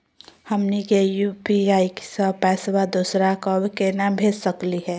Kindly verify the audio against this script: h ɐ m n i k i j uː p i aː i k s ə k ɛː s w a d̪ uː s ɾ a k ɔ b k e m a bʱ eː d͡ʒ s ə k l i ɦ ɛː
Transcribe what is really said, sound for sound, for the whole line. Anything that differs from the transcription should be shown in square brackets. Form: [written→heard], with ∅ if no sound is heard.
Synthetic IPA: h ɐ m n i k [i→e] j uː p i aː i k s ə [k→p] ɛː s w a d̪ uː s ɾ a k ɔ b k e [m→n] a bʱ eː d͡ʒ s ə k l i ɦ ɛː